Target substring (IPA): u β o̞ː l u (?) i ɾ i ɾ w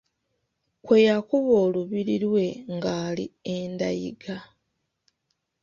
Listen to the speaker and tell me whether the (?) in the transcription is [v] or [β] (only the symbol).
β